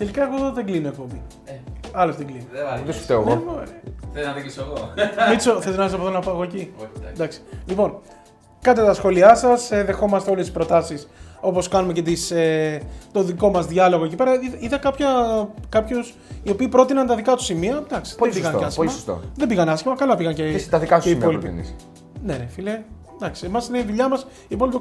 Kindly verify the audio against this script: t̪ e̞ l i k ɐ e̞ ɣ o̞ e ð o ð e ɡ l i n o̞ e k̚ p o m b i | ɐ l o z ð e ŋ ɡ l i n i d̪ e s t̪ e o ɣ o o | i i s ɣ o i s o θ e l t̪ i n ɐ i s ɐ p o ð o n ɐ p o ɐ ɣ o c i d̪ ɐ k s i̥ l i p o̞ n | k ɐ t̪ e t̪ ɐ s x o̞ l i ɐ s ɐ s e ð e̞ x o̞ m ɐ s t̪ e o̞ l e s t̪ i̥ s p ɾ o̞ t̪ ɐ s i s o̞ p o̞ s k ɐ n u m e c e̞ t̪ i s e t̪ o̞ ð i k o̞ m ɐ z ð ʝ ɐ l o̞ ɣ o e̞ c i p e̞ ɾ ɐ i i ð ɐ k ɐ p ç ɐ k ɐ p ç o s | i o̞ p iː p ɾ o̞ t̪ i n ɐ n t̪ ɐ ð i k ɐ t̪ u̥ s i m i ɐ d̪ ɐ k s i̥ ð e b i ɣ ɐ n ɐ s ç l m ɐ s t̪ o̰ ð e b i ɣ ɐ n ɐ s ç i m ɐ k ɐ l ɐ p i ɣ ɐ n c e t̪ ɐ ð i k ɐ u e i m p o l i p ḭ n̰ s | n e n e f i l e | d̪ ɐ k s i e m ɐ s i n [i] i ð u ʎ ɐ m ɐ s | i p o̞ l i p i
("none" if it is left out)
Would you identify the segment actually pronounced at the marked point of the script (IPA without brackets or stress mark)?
e